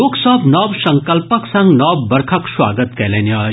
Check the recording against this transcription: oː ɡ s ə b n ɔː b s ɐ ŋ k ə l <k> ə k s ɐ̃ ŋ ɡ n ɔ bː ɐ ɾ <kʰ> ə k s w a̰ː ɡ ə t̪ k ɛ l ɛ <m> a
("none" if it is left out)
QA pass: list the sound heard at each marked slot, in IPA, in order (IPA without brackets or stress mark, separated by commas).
p, kʰ, n